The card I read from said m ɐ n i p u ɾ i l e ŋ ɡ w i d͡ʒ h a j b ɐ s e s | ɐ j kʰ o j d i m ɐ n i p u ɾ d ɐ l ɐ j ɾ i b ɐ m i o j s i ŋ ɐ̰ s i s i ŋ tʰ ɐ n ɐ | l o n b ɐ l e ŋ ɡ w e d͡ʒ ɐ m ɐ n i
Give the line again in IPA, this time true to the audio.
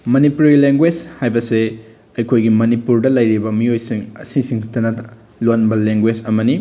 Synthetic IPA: m ɐ n i p u ɾ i l e ŋ ɡ w e d͡ʒ h a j b ɐ s e | ɐ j kʰ o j ɡ i m ɐ n i p u ɾ d ɐ l ɐ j ɾ i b ɐ m i o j s i ŋ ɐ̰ s i s i ŋ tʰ ɐ n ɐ | l o n b ɐ l e ŋ ɡ w e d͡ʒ ɐ m ɐ n i